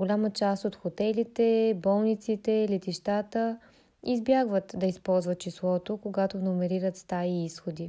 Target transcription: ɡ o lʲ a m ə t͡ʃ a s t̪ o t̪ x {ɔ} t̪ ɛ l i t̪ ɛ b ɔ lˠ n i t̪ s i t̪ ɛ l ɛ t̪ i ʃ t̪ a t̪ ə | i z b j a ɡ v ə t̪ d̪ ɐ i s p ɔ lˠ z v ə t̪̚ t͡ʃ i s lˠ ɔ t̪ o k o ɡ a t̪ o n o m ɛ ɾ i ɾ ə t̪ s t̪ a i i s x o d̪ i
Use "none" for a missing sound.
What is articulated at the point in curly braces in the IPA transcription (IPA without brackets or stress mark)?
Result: o